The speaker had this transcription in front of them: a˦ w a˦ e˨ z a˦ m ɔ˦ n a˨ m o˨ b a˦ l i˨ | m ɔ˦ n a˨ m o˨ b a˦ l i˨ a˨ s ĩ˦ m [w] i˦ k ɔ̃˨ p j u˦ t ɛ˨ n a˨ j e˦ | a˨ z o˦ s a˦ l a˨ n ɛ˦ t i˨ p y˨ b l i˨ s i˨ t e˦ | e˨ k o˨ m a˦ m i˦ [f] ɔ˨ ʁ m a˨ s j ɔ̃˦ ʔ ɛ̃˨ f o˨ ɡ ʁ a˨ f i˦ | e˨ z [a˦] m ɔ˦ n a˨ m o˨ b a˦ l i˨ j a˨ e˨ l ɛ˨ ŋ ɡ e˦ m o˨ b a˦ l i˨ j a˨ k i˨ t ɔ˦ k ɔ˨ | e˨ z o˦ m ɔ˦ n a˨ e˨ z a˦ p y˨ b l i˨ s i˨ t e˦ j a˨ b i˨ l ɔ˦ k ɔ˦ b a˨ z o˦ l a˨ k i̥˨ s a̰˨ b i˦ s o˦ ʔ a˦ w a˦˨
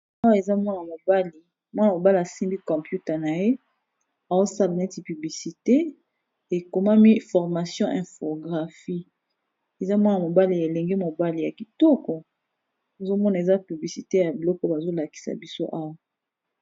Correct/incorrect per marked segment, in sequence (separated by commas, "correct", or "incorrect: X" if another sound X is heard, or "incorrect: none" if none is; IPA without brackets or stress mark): incorrect: b, correct, correct